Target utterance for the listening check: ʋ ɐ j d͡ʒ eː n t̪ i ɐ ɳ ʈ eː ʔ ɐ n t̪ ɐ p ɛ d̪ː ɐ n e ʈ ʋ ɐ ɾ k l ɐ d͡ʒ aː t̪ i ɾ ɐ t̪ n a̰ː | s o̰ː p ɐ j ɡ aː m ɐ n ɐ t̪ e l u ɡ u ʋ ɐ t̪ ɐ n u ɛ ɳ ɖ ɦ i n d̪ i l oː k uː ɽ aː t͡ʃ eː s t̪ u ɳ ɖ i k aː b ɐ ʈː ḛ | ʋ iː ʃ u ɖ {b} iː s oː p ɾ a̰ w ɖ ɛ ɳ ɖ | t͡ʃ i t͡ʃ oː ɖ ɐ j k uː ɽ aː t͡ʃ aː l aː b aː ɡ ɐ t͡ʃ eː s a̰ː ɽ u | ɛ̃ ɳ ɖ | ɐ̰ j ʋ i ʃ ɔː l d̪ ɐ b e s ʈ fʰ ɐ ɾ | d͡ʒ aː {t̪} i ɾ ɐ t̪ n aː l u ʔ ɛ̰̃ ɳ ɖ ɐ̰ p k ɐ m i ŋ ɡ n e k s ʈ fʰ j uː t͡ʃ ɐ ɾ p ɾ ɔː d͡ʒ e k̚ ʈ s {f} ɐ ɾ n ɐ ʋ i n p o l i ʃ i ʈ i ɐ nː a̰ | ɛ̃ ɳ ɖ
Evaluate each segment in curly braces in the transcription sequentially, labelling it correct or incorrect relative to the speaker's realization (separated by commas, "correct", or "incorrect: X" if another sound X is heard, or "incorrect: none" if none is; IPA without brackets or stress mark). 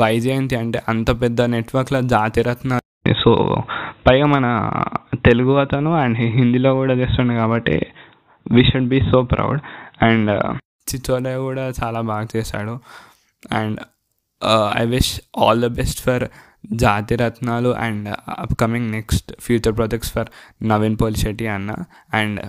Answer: correct, correct, correct